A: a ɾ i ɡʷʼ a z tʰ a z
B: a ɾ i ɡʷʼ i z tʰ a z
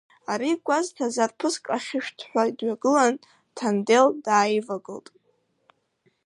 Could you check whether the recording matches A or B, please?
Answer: A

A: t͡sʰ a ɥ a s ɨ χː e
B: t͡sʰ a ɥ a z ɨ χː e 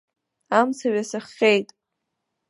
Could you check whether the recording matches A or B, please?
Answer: A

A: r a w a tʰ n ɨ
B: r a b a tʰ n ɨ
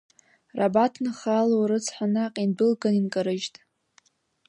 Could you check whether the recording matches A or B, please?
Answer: B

